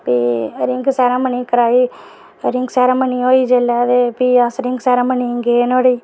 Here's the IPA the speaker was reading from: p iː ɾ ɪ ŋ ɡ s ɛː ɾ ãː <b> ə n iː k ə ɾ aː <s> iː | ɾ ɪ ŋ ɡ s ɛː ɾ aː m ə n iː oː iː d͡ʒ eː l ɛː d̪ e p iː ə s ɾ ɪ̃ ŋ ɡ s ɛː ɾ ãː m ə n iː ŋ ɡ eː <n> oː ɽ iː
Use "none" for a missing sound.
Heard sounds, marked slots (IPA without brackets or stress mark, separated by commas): m, none, n